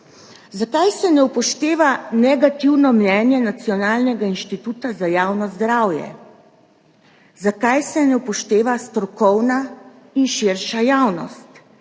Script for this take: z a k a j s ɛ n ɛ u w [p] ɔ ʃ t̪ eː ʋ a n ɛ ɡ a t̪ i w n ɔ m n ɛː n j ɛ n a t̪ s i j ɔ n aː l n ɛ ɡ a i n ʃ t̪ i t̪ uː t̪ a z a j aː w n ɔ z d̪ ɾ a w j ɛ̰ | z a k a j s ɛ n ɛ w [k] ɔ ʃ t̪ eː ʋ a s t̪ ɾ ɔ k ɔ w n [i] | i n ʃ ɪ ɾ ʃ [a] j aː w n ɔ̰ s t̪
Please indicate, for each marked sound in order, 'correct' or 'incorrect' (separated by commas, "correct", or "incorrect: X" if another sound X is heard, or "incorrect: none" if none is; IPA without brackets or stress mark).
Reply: correct, incorrect: p, incorrect: a, correct